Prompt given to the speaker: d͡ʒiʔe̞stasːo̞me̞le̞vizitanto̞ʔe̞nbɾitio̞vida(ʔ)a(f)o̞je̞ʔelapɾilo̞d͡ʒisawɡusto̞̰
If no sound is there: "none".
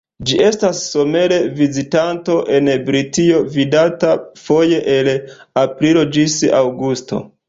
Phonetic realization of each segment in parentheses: t, f

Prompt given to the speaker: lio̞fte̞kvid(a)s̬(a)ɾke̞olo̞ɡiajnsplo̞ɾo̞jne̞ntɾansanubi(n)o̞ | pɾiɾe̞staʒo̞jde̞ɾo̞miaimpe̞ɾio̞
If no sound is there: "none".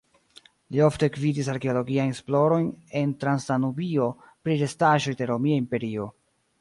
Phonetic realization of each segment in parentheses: i, a, none

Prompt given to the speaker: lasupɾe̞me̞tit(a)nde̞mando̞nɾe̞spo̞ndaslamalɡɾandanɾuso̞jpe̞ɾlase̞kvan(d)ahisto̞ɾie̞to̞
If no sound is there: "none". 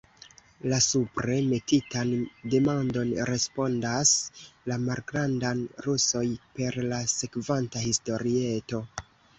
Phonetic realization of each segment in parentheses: a, t

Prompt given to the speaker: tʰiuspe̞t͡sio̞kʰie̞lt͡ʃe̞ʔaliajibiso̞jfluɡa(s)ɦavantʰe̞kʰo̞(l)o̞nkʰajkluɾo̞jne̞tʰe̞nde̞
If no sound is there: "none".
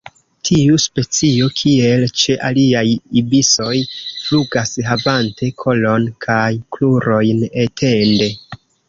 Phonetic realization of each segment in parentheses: s, l

